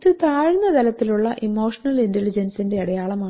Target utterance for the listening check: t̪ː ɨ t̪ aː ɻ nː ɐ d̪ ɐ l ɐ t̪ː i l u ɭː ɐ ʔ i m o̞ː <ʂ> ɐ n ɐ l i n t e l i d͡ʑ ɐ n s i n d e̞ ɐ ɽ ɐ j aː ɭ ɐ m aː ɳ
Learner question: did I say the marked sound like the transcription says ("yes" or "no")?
yes